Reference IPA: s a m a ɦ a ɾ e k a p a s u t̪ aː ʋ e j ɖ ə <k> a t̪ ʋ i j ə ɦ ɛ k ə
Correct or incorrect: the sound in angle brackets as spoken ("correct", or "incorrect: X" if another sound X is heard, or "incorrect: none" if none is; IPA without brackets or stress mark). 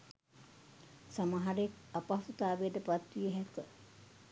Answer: incorrect: p